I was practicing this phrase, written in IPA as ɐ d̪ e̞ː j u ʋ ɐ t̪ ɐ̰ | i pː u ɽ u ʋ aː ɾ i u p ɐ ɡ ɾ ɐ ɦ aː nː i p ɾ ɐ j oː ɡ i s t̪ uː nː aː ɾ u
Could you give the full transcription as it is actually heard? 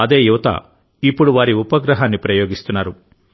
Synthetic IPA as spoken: ɐ d̪ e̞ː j u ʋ ɐ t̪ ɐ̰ | i pː u ɽ u ʋ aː ɾ i u p ɐ ɡ ɾ ɐ ɦ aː nː i p ɾ ɐ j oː ɡ i s t̪ u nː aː ɾ u